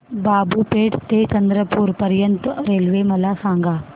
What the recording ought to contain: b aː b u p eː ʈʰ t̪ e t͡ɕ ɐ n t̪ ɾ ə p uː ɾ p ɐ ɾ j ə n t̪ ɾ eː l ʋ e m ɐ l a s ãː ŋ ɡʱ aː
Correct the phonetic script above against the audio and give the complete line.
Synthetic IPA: b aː b u p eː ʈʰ t̪ e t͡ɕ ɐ n d̪ ɾ ə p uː ɾ p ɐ ɾ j ə n t̪ ɾ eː l ʋ e m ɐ l a s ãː ŋ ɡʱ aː